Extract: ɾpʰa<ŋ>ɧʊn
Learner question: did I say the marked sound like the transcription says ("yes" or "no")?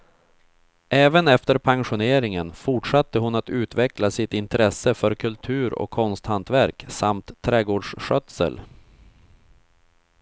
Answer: yes